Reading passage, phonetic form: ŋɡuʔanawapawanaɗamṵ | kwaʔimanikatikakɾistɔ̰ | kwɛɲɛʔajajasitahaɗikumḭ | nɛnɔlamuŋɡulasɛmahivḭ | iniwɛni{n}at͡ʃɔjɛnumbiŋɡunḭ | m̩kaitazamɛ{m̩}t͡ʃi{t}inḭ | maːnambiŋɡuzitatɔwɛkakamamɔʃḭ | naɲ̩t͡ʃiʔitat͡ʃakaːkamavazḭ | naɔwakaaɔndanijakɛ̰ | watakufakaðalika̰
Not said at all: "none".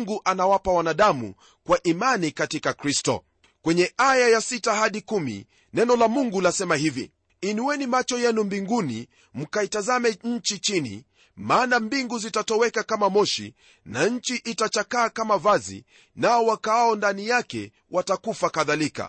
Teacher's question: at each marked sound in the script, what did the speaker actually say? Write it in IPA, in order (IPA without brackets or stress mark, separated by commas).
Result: m, ɲ̩, t͡ʃ